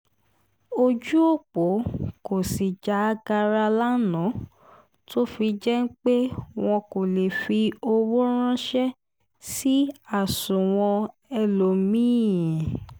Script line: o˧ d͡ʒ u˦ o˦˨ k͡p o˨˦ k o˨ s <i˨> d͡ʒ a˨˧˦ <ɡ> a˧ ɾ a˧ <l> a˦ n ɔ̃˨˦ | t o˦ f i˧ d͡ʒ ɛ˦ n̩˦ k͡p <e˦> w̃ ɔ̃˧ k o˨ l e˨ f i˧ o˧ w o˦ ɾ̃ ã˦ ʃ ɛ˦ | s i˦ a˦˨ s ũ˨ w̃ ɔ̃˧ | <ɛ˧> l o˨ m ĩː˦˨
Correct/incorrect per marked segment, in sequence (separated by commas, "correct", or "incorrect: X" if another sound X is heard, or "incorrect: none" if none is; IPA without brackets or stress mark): correct, correct, correct, correct, correct